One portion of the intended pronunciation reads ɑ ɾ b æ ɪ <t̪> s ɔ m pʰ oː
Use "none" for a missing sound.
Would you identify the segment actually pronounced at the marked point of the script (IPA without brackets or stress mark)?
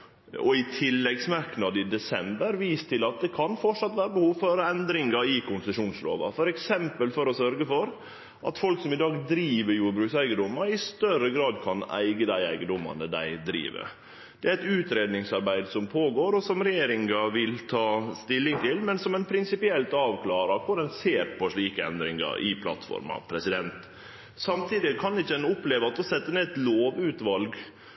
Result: d̪